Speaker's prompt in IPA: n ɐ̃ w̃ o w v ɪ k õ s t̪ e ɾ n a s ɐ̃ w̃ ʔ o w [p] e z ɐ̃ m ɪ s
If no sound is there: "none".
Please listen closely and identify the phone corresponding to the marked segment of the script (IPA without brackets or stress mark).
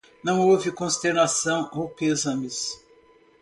p